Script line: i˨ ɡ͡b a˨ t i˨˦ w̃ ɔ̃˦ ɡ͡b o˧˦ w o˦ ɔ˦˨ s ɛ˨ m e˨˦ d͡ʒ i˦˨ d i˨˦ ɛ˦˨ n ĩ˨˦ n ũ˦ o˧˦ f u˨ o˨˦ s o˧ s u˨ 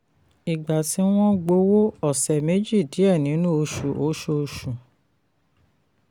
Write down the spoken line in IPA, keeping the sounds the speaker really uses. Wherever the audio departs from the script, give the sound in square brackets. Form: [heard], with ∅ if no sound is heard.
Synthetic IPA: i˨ ɡ͡b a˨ t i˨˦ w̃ ɔ̃˦ ɡ͡b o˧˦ w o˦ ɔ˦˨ s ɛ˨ m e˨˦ d͡ʒ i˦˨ d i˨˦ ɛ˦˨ n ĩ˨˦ n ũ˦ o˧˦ [ʃ] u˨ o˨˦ [ʃ] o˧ [ʃ] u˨